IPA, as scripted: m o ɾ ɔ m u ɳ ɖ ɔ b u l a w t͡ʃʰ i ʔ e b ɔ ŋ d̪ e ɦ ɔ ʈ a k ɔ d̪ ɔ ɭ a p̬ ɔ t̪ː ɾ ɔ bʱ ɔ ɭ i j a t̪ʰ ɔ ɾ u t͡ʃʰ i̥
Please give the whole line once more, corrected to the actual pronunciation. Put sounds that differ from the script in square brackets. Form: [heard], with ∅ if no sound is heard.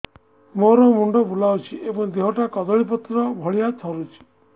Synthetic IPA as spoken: m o ɾ ɔ m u ɳ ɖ ɔ b u l a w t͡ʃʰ i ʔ e b ɔ ŋ d̪ e ɦ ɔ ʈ a k ɔ d̪ ɔ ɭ [i] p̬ ɔ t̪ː ɾ ɔ bʱ ɔ ɭ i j a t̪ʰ ɔ ɾ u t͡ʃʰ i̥